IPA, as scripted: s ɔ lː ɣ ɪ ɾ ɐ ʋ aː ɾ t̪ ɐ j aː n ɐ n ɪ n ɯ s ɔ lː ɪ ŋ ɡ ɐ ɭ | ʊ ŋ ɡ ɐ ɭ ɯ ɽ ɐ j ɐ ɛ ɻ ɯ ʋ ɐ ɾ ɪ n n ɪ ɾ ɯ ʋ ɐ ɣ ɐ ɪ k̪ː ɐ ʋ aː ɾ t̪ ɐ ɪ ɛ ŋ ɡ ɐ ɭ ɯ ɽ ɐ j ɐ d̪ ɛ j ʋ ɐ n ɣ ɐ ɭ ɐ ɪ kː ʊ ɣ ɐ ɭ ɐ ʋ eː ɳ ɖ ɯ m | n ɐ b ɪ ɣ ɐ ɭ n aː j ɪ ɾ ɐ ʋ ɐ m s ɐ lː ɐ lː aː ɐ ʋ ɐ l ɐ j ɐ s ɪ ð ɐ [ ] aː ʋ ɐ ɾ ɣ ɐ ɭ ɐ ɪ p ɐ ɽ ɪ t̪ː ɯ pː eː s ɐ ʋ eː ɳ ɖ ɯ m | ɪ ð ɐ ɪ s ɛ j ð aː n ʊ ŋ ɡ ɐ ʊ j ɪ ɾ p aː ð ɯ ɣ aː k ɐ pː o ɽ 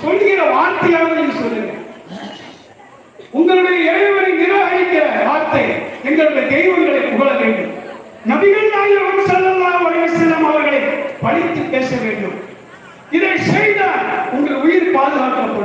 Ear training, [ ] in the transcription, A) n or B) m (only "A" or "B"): B